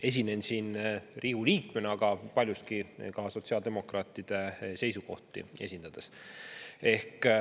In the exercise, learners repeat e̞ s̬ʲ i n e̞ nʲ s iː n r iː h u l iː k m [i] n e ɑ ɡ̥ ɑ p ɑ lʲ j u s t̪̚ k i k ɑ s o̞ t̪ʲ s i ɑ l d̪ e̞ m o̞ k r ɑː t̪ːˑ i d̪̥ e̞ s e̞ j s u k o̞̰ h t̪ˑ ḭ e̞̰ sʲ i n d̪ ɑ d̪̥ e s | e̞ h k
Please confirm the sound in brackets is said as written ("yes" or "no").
no